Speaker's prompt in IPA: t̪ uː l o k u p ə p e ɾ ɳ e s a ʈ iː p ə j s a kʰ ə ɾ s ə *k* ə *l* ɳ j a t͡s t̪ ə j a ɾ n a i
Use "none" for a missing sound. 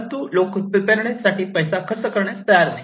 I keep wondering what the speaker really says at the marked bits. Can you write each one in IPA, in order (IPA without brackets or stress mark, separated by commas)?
k, ɾ